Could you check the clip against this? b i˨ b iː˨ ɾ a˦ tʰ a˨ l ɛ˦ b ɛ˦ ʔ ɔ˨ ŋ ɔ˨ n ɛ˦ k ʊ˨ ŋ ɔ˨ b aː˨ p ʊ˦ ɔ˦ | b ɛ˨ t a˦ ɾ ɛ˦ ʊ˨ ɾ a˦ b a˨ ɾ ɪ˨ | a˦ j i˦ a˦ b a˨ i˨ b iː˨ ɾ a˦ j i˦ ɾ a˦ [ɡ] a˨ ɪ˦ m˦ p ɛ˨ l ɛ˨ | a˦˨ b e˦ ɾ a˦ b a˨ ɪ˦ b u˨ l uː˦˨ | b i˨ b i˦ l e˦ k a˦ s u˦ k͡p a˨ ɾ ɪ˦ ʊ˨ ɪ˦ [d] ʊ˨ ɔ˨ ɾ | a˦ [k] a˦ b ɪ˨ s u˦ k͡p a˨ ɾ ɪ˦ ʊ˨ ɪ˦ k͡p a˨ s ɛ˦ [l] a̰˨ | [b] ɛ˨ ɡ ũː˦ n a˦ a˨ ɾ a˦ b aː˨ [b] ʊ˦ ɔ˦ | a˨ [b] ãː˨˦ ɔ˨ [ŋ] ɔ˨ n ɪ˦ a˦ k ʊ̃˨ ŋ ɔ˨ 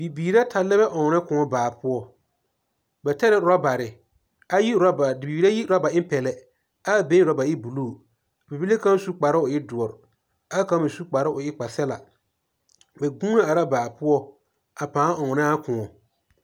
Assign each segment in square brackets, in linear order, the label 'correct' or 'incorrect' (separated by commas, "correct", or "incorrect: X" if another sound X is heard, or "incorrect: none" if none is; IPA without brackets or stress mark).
incorrect: b, correct, correct, correct, correct, incorrect: p, incorrect: p, correct